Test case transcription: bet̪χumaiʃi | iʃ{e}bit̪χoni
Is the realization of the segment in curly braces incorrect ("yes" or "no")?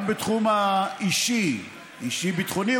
yes